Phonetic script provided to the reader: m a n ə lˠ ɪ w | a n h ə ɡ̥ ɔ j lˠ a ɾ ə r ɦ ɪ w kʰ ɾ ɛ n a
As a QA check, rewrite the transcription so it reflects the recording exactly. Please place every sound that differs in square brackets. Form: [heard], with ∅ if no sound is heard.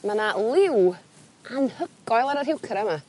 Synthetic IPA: m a n [a] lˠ ɪ w | a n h ə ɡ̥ ɔ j lˠ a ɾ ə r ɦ ɪ w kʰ ɾ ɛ [m] a